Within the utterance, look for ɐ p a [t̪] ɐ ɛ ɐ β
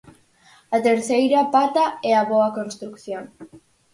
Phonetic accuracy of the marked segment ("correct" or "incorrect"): correct